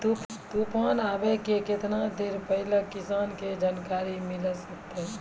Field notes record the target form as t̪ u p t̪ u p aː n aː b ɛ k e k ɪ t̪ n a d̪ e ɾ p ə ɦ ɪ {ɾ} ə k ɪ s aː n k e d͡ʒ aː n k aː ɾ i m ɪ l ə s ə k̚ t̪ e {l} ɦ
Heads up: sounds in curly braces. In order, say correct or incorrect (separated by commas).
incorrect, incorrect